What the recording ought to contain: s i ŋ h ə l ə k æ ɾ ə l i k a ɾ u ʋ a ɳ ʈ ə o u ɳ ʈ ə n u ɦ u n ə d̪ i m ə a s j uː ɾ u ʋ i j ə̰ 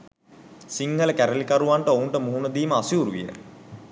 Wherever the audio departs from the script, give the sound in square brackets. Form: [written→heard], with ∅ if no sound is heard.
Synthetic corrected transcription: s i ŋ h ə l ə k æ ɾ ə l i k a ɾ u ʋ a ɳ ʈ ə o u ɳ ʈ ə [n→m] u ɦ u n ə d̪ [i→iː] m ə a s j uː ɾ u ʋ i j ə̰